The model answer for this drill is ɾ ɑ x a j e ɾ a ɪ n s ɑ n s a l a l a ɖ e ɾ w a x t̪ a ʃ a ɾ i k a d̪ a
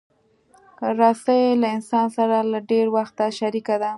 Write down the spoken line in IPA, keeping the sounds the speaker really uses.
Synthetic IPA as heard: ɾ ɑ s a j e l a ɪ n s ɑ n s a ɾ a l a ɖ e ɾ w a x t̪ a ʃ a ɾ i k a d̪ a